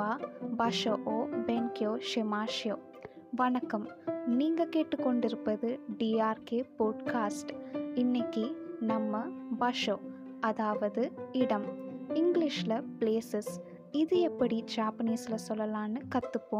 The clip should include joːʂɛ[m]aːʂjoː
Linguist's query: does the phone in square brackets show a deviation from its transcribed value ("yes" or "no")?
no